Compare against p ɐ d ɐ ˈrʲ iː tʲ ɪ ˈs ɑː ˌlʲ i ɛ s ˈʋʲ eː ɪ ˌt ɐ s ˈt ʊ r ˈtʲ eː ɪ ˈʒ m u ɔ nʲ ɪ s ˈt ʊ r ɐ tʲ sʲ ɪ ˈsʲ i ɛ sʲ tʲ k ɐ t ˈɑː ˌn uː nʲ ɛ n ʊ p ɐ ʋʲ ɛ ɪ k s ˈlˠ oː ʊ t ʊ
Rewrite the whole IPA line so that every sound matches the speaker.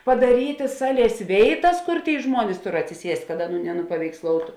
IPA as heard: p ɐ d ɐ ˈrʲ iː tʲ ɪ ˈs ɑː ˌlʲ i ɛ s ˈʋʲ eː ɪ ˌt ɐ s ˈk ʊ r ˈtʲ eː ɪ ˈʒ m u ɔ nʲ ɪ s ˈt ʊ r ɐ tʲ sʲ ɪ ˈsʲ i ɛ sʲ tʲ k ɐ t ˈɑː ˌn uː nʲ ɛ n ʊ p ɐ ʋʲ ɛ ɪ k s ˈlˠ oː ʊ t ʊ